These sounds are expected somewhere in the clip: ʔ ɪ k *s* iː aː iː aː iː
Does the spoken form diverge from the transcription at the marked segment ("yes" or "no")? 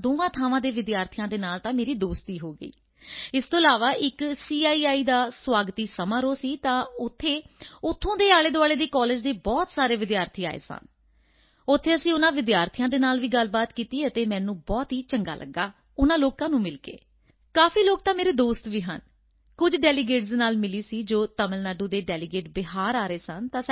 no